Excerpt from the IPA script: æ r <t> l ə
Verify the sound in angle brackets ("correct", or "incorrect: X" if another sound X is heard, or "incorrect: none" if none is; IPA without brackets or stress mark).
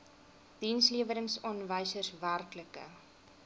incorrect: k